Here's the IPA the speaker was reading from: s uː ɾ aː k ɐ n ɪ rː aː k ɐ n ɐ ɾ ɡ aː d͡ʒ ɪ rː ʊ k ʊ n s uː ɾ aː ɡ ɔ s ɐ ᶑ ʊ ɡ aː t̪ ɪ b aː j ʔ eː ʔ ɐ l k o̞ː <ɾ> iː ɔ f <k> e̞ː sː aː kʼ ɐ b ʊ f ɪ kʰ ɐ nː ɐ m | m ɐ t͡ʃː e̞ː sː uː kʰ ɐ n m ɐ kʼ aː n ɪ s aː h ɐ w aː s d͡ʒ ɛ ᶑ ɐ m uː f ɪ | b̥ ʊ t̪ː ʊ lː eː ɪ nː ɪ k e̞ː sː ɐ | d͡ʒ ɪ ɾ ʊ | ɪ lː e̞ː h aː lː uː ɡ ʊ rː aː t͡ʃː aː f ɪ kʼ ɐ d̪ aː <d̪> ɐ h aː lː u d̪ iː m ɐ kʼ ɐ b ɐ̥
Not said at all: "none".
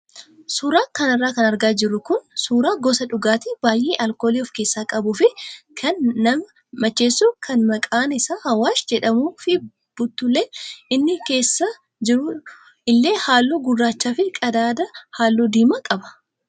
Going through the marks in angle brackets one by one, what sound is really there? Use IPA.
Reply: l, k, d̪

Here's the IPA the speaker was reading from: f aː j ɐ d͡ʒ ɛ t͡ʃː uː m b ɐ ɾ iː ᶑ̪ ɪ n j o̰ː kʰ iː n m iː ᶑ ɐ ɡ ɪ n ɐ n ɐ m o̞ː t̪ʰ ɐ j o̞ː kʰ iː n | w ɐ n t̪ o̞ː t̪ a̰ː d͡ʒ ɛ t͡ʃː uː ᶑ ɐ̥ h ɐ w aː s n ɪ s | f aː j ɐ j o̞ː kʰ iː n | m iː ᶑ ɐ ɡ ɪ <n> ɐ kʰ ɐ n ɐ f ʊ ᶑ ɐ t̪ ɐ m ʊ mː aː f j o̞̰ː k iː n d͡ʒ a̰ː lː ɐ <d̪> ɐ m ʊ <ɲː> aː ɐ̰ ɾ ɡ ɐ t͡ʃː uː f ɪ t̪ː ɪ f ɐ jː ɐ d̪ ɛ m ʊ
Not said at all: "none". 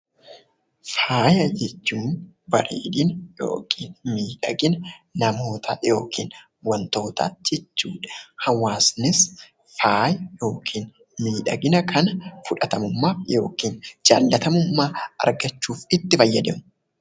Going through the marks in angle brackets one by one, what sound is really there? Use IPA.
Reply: n, t̪, mː

